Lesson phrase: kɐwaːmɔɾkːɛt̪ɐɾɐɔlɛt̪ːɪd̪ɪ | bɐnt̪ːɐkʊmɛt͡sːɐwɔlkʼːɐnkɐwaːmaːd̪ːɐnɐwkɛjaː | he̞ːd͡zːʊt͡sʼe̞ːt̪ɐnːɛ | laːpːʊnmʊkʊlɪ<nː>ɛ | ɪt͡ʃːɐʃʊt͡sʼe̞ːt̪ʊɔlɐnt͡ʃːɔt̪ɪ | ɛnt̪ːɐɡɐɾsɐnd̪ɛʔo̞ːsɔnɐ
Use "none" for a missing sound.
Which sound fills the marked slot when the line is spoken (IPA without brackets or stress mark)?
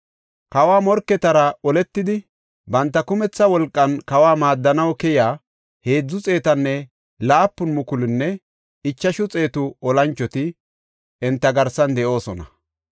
nː